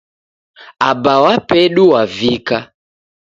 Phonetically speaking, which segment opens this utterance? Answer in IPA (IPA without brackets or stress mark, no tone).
a